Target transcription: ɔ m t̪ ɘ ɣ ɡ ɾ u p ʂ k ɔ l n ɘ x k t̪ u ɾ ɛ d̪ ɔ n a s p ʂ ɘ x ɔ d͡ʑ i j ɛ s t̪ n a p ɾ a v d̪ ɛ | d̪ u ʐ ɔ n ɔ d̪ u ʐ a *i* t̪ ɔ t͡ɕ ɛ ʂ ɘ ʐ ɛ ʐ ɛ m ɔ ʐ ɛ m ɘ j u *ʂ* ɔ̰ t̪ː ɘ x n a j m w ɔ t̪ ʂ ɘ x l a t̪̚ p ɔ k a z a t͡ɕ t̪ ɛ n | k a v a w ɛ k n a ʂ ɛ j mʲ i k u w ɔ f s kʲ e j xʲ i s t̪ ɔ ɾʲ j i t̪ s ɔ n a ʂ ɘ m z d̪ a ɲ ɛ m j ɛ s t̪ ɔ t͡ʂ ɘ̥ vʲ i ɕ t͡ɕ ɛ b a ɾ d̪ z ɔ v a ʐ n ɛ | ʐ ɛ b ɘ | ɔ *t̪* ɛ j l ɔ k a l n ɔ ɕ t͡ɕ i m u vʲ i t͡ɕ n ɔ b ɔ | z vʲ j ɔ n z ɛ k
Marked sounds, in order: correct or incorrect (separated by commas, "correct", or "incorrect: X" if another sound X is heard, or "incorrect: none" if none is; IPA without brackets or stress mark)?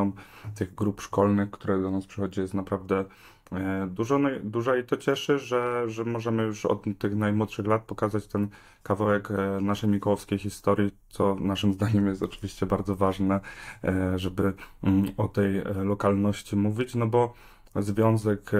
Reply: correct, correct, correct